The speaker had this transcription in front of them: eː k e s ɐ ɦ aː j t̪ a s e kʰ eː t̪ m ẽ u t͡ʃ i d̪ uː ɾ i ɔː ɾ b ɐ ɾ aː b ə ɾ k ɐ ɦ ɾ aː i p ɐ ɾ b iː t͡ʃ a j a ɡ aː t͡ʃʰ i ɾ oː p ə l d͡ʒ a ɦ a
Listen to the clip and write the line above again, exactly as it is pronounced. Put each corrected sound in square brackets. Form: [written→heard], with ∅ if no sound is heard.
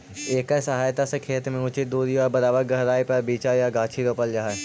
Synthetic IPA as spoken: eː k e s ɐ ɦ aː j t̪ a s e kʰ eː t̪ m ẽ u t͡ʃ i d̪ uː ɾ i ɔː ɾ b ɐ ɾ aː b ə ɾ [k→ɡ] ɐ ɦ ɾ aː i p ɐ ɾ b iː t͡ʃ a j a ɡ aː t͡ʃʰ i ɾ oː p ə l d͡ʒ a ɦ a